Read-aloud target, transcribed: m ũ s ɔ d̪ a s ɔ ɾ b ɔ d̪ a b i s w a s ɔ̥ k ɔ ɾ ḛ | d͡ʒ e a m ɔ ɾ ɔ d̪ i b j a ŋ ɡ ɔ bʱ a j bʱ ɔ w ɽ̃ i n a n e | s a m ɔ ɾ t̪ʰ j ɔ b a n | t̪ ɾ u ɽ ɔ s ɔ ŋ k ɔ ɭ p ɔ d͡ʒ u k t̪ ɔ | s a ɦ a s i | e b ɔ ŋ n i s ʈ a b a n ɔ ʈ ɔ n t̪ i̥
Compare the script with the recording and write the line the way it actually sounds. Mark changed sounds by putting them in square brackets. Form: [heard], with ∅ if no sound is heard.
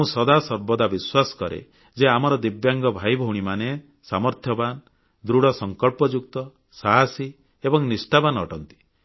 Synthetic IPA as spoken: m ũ s ɔ d̪ a s ɔ ɾ b ɔ d̪ a b i s w a s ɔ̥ k ɔ ɾ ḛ | d͡ʒ e a m ɔ ɾ ɔ d̪ i b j a ŋ ɡ ɔ bʱ a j bʱ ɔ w ɽ̃ i [m] a n e | s a m ɔ ɾ t̪ʰ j ɔ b a n | [d̪] ɾ u ɽ ɔ s ɔ ŋ k ɔ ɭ p ɔ d͡ʒ u k t̪ ɔ | s a ɦ a s i | e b ɔ ŋ n i s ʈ a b a n ɔ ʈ ɔ n t̪ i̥

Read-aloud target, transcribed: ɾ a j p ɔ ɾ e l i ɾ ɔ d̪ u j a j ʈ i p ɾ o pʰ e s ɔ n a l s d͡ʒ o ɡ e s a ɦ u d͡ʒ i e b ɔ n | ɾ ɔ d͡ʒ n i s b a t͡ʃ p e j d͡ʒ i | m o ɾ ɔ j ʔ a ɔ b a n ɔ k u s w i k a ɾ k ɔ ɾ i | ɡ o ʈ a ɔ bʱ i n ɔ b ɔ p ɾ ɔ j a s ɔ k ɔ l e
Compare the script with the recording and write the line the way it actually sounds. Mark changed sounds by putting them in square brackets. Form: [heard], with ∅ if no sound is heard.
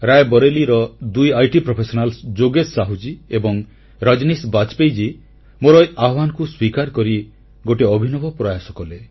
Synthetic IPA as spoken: ɾ a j [b] ɔ ɾ e l i ɾ ɔ d̪ u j a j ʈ i p ɾ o pʰ e s ɔ n a l s d͡ʒ o ɡ e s a ɦ u d͡ʒ i e b ɔ [ŋ] | ɾ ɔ d͡ʒ n i s b a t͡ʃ p e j d͡ʒ i | m o ɾ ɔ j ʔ a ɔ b a n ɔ k u s w i k a ɾ k ɔ ɾ i | ɡ o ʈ [e] ɔ bʱ i n ɔ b ɔ p ɾ ɔ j a s ɔ k ɔ l e

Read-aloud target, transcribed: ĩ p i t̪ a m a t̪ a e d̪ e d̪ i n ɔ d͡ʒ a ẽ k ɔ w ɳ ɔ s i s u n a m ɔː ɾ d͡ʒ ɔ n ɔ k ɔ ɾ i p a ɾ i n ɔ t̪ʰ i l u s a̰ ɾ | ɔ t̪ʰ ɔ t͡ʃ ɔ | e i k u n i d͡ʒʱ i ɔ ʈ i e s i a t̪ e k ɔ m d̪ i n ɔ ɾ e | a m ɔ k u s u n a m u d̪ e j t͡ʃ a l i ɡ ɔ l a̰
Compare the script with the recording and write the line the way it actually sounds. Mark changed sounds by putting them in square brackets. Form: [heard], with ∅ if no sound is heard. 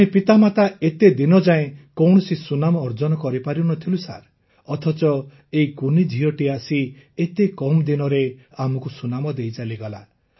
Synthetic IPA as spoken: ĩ p i t̪ a m a t̪ a e [t̪] e d̪ i n ɔ d͡ʒ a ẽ k ɔ w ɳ ɔ s i s u n a m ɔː ɾ d͡ʒ ɔ n ɔ k ɔ ɾ i p a ɾ i n ɔ t̪ʰ i l u s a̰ ɾ | ɔ t̪ʰ ɔ t͡ʃ ɔ | e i k u n i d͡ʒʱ i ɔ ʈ i [a] s i [e] t̪ e k ɔ m d̪ i n ɔ ɾ e | a m ɔ k u s u n a m [ɔ] d̪ e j t͡ʃ a l i ɡ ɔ l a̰

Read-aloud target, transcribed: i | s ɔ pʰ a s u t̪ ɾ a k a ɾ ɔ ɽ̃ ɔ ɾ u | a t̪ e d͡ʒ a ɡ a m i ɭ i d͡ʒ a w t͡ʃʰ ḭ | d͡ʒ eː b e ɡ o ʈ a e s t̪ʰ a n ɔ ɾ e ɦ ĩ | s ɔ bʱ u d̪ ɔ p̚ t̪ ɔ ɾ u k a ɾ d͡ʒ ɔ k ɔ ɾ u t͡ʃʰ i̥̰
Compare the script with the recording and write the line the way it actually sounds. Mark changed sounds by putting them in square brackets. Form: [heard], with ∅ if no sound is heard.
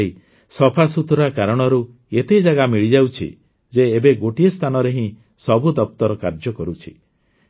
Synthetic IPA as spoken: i | s ɔ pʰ a s u t̪ ɾ a k a ɾ ɔ ɽ̃ ɔ ɾ u | [e] t̪ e d͡ʒ a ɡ a m i ɭ i d͡ʒ a w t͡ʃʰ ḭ | d͡ʒ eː b e ɡ o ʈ [i] e s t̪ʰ a n ɔ ɾ e ɦ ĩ | s ɔ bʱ u d̪ ɔ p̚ t̪ ɔ ɾ [ɔ] k a ɾ d͡ʒ ɔ k ɔ ɾ u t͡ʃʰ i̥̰

